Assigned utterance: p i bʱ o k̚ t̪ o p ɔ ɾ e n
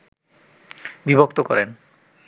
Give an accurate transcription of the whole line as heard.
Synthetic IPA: b i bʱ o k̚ t̪ o k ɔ ɾ e n